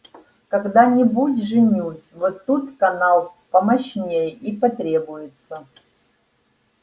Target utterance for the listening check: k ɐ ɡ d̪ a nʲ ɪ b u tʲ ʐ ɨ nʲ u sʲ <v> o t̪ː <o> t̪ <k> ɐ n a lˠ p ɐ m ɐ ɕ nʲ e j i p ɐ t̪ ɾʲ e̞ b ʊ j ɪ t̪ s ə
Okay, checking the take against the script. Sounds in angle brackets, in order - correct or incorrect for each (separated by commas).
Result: correct, incorrect, correct